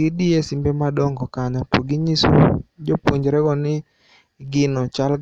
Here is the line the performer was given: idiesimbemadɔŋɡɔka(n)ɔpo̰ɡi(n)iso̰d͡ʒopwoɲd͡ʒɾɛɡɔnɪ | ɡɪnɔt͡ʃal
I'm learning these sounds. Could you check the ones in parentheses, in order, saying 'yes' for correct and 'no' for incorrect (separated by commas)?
no, no